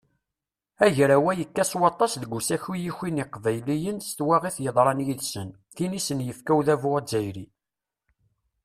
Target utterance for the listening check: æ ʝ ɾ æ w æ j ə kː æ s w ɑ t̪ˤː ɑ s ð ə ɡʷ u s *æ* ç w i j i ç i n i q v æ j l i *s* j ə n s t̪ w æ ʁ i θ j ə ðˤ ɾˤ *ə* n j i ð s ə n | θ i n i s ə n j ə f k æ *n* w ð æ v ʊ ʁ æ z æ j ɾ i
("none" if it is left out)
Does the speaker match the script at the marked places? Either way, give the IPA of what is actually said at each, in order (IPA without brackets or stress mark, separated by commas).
æ, none, ɑ, none